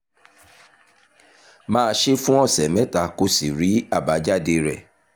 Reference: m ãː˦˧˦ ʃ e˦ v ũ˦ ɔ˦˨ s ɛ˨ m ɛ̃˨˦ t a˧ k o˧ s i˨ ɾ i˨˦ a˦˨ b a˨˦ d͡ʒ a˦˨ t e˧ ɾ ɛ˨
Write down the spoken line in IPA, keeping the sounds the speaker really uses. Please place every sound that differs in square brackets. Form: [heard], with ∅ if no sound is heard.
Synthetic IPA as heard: m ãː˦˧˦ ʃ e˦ [f] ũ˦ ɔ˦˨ s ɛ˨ m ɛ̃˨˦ t a˧ k o˧ s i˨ ɾ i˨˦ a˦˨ b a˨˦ d͡ʒ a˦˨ [d] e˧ ɾ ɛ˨